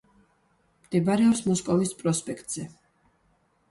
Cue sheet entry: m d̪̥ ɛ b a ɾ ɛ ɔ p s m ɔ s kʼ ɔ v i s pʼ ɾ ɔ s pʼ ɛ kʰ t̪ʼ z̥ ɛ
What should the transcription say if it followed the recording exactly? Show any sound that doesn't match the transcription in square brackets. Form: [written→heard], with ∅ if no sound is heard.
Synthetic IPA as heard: m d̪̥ ɛ b a ɾ ɛ ɔ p s m ɔ s kʼ ɔ v i s pʼ ɾ ɔ s pʼ ɛ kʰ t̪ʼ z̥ ɛ